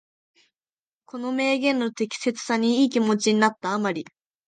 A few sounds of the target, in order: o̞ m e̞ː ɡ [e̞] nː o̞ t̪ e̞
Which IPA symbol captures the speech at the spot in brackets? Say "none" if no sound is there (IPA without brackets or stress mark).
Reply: ẽ̞